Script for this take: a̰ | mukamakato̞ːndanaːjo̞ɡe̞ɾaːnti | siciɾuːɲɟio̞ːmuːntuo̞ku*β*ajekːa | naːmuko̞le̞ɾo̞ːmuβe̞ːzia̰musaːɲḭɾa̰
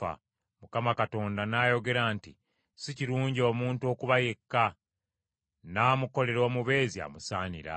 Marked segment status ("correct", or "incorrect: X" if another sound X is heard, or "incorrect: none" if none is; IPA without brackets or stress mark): correct